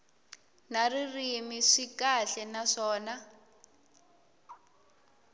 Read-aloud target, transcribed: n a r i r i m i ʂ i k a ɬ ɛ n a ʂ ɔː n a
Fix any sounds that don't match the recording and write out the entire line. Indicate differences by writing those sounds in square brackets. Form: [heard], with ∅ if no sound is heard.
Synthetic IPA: n a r i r i m i ʂ i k a ɬ ɛ n a ʂ ɔː n a